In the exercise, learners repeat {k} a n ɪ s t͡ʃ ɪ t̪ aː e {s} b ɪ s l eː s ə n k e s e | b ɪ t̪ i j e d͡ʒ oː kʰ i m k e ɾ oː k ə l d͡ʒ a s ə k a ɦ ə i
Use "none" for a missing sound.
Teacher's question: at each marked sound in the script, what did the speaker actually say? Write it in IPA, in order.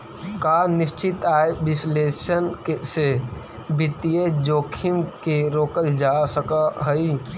k, none

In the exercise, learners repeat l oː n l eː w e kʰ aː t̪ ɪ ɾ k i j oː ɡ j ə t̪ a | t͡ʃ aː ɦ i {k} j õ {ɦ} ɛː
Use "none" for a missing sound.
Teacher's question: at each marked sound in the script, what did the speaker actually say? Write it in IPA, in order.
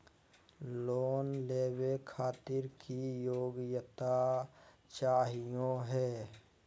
none, ɦ

